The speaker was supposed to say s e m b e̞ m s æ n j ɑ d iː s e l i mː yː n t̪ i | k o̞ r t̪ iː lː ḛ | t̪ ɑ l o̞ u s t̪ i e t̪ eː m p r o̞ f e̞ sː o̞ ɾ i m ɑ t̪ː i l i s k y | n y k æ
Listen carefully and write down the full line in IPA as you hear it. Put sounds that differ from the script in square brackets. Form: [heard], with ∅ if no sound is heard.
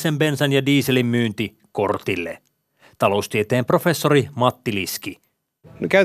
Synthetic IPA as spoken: s e m b e̞ [n] s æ n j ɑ d iː s e l i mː yː n t̪ i | k o̞ r t̪ [i] lː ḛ | t̪ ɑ l o̞ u s t̪ i e t̪ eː m p r o̞ f e̞ sː o̞ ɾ i m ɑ t̪ː i l i s k [i] | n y k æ